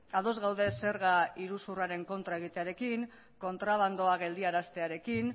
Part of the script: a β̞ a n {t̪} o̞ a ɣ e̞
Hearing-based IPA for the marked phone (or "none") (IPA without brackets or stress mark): d̪